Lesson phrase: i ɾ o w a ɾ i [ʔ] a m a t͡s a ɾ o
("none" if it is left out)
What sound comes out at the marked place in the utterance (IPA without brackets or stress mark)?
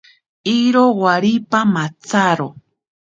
p